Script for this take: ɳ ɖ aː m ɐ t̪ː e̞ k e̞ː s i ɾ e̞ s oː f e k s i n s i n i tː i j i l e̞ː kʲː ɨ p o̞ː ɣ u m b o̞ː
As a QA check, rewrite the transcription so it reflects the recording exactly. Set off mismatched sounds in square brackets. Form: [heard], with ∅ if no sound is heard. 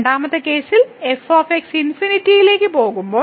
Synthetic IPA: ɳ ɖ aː m ɐ t̪ː e̞ k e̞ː s i [l] e̞ [f] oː f e k s i n [f] i n i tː i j i l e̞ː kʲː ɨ p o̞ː ɣ u m b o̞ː